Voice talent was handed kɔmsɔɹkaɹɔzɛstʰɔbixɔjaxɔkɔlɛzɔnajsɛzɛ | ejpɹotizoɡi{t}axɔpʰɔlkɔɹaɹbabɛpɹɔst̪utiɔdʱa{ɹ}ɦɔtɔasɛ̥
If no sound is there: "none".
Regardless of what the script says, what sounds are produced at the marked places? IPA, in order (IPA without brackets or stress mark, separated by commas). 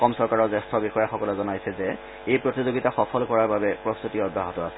t, none